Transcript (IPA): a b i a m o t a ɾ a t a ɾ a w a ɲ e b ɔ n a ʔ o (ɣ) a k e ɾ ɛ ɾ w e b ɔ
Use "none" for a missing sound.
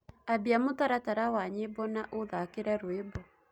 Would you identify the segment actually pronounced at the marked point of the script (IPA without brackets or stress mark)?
ð